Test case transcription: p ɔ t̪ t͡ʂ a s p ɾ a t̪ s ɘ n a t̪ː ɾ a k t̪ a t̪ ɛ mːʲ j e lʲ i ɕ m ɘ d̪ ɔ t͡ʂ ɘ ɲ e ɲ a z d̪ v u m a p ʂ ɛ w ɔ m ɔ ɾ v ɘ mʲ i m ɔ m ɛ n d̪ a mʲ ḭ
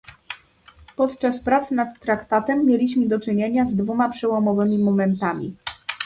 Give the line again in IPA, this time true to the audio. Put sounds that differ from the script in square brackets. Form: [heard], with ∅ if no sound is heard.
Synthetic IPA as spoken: p ɔ t̪ t͡ʂ a s p ɾ a t̪ s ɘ n a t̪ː ɾ a k t̪ a t̪ ɛ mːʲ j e lʲ i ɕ m ɘ d̪ ɔ t͡ʂ ɘ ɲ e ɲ a z d̪ v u m a p ʂ ɛ w ɔ m ɔ [∅] v ɘ mʲ i m ɔ m ɛ n [t̪] a mʲ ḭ